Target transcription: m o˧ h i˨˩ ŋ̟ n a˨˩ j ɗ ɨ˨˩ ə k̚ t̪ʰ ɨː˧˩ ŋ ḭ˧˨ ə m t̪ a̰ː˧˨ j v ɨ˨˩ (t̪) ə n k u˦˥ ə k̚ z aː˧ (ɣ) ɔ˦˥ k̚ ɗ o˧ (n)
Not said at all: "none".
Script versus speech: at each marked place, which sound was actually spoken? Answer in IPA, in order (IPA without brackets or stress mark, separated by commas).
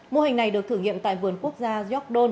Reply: none, z, n